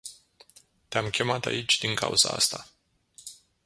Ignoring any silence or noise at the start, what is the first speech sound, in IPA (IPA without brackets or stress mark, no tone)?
t̪